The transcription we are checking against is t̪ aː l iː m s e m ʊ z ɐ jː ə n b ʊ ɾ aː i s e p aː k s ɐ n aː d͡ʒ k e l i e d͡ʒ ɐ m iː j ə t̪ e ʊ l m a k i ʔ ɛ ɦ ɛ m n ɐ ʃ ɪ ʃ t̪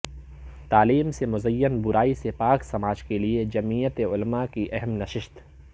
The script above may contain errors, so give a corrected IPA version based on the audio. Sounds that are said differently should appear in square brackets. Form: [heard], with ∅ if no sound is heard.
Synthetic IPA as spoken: t̪ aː l iː m s e m ʊ z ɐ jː ə n b ʊ ɾ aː i s e p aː k s ɐ [m] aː d͡ʒ k e l i e d͡ʒ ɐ m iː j ə t̪ e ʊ l m a k i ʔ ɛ ɦ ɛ m n ɐ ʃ ɪ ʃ t̪